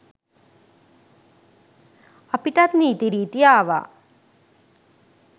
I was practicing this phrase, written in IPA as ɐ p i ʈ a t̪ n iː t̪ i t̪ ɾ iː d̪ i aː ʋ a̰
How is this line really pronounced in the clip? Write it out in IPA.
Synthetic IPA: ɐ p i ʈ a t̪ n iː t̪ i ɾ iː t̪ i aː ʋ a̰